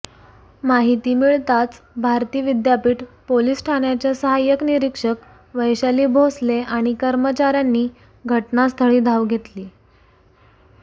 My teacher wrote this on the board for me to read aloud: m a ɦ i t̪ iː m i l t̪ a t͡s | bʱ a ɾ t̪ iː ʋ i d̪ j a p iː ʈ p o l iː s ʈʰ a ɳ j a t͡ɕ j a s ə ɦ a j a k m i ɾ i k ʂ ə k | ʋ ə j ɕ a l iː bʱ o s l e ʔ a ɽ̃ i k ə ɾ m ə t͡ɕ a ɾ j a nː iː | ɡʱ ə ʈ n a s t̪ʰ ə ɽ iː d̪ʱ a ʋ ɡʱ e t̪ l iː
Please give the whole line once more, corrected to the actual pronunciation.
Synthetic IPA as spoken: m a ɦ i t̪ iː m i ɭ t̪ a t͡s | bʱ a ɾ t̪ iː ʋ i d̪ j a p iː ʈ p o l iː s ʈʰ a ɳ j a t͡ɕ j a s ə ɦ a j ə k n i ɾ i k ʂ ə k | ʋ ə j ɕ a l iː bʱ o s l e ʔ a ɽ̃ i k ə ɾ m ə t͡ɕ a ɾ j a nː iː | ɡʱ ə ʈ n a s t̪ʰ ə ɭ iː d̪ʱ a ʋ ɡʱ e t̪ l iː